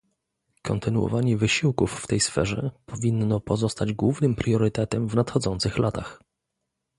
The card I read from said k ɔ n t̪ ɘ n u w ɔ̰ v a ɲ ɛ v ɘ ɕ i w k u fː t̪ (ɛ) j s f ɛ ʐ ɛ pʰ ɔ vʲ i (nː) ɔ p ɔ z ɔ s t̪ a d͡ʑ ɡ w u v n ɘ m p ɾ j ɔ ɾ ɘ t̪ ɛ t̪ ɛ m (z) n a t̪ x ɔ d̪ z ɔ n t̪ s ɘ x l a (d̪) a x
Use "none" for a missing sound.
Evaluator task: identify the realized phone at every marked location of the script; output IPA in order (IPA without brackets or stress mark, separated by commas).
ɛ, nː, v, t̪